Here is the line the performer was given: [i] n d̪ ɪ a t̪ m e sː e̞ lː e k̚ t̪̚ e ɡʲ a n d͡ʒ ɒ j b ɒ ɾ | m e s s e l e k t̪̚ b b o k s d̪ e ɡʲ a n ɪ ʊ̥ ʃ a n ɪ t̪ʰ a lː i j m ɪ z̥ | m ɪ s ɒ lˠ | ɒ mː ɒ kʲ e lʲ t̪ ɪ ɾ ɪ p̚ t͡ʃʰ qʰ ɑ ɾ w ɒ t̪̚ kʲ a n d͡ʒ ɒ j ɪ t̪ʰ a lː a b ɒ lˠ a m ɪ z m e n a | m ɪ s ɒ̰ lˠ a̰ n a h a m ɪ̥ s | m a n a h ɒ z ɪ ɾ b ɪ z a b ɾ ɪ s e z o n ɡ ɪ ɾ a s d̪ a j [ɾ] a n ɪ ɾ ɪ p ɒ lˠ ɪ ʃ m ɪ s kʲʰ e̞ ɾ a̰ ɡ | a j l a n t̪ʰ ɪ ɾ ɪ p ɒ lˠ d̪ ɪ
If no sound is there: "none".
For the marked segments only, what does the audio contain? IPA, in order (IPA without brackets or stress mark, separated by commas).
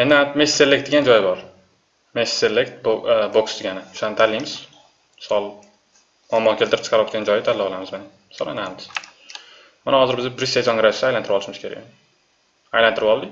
e, l